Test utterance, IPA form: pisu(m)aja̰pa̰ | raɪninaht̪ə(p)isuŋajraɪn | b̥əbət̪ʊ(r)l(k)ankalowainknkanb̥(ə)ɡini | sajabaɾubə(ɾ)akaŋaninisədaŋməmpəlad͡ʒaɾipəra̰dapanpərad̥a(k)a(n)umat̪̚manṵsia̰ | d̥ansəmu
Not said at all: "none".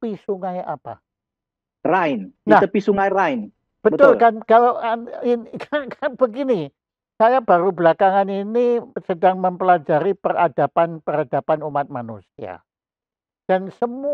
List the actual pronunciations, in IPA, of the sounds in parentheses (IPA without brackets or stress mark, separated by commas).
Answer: ŋ, p, l, k, ə, l, p, n